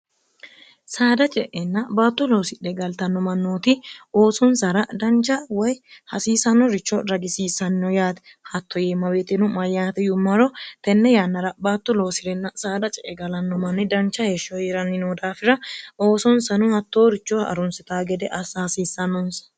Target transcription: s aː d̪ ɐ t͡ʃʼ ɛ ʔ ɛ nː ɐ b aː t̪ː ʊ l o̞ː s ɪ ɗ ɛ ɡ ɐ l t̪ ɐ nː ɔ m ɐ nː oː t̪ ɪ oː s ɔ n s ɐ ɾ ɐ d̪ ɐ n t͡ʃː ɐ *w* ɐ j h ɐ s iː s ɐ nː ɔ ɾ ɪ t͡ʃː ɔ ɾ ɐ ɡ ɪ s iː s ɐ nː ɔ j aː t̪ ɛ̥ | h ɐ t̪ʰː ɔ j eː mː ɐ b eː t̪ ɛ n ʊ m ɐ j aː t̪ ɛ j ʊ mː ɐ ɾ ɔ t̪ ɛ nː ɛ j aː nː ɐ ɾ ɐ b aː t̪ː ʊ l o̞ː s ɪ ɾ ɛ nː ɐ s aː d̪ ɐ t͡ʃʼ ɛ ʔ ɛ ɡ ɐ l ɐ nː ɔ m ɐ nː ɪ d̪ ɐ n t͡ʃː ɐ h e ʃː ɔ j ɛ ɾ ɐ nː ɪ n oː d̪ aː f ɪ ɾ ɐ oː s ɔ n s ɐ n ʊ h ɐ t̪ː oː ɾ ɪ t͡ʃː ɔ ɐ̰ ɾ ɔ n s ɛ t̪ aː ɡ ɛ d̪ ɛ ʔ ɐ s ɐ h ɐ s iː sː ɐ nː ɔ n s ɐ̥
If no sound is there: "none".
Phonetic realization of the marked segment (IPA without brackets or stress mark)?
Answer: w